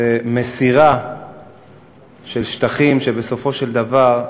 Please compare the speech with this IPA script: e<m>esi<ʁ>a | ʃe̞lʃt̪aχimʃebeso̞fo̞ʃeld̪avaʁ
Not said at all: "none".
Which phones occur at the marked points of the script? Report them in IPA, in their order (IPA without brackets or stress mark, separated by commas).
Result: m, ʁ